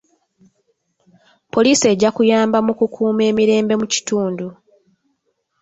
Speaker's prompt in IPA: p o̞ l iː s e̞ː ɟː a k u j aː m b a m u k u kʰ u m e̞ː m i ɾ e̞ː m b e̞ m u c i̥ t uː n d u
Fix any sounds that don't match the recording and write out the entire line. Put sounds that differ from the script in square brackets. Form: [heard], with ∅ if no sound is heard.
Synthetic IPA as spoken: p o̞ l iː s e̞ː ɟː a k u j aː m b a m u k u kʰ [uː] m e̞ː m i ɾ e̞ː m b e̞ m u c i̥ t uː n d u